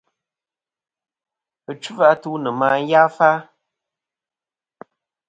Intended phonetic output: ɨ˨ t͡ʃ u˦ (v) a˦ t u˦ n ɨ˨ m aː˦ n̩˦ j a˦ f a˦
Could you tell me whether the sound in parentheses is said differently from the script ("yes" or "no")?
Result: no